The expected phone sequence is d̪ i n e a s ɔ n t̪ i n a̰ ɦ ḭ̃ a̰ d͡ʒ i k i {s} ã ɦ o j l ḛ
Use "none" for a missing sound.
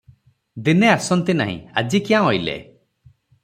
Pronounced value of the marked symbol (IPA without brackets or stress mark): none